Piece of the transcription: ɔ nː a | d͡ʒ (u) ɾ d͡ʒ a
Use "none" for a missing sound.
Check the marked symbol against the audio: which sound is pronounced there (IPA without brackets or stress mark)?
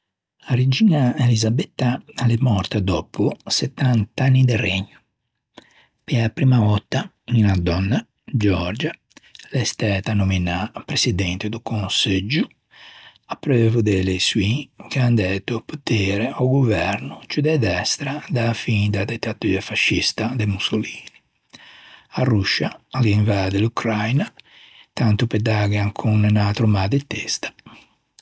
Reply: ɔ